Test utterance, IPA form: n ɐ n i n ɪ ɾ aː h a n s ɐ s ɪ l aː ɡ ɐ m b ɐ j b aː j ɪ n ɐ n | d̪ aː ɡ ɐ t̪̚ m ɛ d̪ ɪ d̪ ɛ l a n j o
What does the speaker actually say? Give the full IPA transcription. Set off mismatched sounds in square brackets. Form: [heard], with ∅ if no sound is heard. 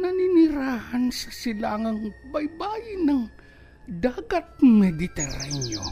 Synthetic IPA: n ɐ n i n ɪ ɾ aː h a n s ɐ s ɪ l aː [ŋ] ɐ [ŋ] b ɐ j b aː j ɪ n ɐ [ŋ] | d̪ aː ɡ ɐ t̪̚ m ɛ d̪ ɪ [t̪] ɛ [ɾ] a n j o